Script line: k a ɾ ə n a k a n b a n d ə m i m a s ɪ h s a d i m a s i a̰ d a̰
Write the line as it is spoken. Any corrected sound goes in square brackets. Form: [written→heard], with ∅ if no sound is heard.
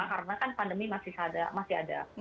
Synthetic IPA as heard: k a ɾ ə n a k a n [b→p] a n d ə m i m a s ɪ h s a d [i→a] m a s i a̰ d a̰